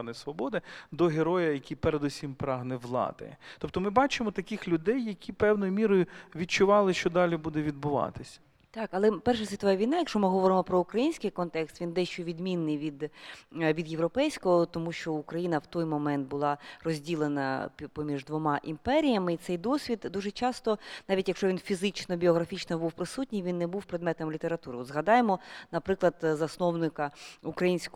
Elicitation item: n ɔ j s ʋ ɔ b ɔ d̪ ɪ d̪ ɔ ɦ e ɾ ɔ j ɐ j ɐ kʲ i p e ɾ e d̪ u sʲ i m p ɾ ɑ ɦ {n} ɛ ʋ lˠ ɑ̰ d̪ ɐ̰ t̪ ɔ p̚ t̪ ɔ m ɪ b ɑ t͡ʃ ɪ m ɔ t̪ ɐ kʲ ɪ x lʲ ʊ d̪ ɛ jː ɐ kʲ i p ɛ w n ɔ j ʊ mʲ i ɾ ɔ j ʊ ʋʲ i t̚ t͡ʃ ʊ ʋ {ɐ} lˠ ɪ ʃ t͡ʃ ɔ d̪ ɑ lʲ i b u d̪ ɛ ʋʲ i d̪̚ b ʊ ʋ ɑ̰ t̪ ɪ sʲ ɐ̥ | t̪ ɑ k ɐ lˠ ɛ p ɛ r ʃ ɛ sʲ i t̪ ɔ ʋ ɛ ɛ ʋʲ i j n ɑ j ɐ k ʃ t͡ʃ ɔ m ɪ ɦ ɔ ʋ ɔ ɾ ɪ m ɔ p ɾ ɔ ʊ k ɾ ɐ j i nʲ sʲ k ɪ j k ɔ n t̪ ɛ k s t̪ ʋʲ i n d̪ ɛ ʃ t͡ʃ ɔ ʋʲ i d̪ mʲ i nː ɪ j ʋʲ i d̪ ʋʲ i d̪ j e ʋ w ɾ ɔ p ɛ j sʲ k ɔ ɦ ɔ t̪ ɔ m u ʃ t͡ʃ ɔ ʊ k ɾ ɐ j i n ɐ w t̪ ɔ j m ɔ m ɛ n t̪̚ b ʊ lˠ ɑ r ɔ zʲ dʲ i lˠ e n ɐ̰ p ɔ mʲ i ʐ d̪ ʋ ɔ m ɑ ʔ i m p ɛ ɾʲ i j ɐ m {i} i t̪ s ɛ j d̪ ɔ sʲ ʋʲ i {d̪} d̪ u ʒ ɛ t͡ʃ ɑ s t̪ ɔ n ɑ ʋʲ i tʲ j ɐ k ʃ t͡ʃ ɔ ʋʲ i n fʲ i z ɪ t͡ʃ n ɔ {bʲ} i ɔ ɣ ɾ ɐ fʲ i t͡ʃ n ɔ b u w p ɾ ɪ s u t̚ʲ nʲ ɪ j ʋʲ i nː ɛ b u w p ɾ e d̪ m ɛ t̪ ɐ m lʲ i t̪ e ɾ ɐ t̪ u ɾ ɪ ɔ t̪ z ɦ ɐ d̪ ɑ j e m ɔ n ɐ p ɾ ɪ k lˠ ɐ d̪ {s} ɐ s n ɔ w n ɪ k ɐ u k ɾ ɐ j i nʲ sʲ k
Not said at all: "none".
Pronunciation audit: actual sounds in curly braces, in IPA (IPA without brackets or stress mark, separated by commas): n, ɑ, ɪ, d̪, bʲ, z